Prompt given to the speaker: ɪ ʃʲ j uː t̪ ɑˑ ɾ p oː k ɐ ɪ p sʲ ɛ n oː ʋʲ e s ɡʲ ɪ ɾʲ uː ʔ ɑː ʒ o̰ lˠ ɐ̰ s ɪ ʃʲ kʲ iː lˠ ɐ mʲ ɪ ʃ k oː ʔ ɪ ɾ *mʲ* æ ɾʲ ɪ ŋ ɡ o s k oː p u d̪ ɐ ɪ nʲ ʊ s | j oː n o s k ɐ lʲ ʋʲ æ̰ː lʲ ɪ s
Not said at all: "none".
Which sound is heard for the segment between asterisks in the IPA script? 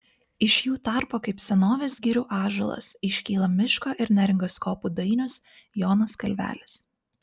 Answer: nʲ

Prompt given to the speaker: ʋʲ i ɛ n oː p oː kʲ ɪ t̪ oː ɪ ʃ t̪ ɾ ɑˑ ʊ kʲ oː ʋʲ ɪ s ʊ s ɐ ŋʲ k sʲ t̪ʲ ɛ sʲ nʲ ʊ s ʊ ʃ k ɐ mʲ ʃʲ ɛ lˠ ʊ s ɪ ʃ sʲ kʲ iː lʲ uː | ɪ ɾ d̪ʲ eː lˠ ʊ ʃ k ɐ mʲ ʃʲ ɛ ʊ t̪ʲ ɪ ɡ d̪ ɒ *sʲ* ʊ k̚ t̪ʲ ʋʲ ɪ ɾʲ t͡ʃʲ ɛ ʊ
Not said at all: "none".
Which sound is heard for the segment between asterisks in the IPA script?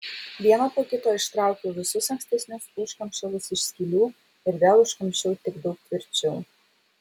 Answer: none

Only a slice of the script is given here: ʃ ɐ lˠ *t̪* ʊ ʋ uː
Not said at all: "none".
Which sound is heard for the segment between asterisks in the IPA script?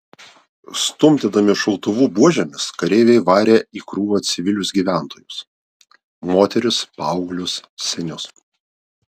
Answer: t̪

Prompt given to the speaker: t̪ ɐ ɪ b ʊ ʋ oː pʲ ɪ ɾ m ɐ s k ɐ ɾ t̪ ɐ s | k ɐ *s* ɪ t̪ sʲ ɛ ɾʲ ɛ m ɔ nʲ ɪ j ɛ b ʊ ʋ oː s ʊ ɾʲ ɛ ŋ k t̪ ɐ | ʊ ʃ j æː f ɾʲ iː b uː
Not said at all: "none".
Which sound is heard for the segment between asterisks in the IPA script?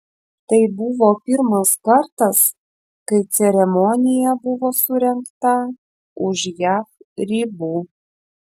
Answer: none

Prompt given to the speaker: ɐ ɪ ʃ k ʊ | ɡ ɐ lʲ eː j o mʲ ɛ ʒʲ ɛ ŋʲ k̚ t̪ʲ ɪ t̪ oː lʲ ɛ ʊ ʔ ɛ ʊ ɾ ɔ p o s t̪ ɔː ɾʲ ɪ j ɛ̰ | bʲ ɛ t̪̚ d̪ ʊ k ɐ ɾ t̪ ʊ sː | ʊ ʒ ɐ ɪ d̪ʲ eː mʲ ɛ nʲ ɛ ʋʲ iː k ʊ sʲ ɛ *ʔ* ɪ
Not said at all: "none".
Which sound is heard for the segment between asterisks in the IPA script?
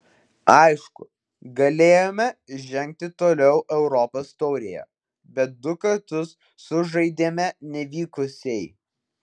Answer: none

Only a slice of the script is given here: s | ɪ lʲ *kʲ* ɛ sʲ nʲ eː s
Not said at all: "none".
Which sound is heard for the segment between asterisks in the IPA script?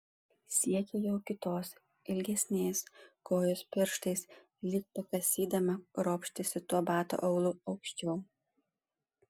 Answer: ɡʲ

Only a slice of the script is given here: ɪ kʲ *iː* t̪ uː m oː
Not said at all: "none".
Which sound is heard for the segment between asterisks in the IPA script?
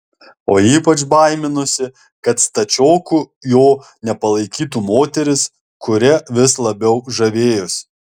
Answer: iː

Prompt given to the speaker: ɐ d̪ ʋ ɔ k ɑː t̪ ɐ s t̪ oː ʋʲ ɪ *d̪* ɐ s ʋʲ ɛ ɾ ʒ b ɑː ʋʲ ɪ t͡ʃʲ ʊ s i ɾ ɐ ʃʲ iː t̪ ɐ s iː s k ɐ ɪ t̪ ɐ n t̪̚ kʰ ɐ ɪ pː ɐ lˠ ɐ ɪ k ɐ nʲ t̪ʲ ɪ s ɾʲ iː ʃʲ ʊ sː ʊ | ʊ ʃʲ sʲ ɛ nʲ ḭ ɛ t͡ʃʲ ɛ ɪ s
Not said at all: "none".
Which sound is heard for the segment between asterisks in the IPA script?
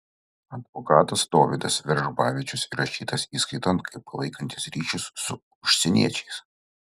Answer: d̪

